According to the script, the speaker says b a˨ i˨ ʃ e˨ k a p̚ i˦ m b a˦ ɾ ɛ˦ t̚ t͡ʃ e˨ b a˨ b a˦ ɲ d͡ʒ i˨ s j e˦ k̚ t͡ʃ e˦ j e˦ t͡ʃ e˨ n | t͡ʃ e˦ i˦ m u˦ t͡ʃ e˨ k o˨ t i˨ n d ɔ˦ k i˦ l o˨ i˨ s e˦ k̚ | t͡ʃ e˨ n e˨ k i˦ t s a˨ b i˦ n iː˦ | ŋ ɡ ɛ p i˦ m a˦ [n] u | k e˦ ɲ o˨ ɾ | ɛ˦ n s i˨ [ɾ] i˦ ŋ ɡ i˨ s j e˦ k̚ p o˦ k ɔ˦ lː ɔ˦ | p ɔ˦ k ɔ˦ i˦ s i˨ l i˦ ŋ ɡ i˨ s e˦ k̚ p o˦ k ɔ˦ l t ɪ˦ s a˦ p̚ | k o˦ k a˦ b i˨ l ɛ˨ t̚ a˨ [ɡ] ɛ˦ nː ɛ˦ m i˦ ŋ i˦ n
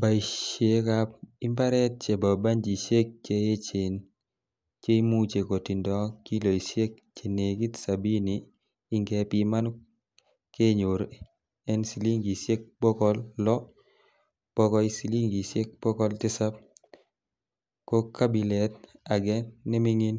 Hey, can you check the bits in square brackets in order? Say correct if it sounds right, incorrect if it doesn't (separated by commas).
correct, incorrect, correct